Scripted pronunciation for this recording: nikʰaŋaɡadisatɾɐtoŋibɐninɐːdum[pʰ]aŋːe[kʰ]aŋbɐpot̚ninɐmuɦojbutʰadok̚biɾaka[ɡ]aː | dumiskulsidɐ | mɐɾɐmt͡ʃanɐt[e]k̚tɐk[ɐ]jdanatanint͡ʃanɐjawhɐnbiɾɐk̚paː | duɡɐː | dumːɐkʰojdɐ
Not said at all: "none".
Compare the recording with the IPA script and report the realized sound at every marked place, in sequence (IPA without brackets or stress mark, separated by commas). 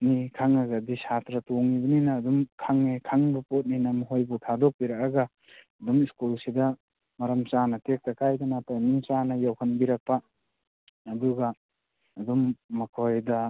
kʰ, kʰ, ɡ, e, a